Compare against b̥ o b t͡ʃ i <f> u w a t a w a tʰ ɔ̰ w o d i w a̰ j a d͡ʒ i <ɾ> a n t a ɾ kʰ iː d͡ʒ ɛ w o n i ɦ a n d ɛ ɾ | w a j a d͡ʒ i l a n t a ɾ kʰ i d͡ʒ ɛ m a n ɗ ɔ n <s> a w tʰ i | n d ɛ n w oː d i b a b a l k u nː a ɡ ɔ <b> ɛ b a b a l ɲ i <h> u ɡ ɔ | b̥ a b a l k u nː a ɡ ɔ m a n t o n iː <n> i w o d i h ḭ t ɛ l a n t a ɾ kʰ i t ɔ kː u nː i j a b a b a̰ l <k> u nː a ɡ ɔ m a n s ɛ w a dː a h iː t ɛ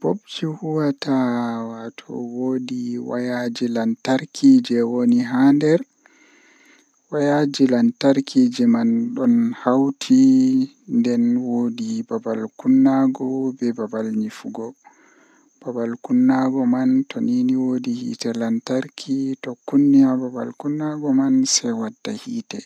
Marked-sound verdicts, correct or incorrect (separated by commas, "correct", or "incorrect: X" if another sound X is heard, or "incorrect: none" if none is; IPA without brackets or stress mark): incorrect: h, incorrect: l, incorrect: h, correct, incorrect: f, correct, correct